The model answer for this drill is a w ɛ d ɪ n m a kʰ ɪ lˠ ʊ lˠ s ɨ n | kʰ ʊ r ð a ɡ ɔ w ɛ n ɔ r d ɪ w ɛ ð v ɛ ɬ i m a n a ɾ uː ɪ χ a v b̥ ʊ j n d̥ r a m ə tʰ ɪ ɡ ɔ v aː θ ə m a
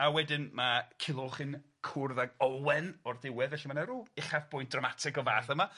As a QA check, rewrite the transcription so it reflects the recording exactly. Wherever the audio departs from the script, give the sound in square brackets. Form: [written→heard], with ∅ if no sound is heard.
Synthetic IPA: a w ɛ d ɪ n m a kʰ ɪ lˠ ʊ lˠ [s→χ] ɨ n | kʰ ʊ r ð a ɡ ɔ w ɛ n ɔ r d ɪ w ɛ ð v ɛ ɬ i m a n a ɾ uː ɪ χ a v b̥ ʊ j n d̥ r a m [ə→a] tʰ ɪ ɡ ɔ v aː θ ə m a